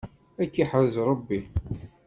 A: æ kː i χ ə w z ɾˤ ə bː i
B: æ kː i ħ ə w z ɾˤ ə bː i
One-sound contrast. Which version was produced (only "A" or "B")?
B